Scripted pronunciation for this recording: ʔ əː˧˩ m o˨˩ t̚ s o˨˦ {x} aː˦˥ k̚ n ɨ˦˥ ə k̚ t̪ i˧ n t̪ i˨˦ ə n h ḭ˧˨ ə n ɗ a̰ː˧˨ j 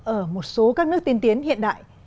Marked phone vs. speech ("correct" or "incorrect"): incorrect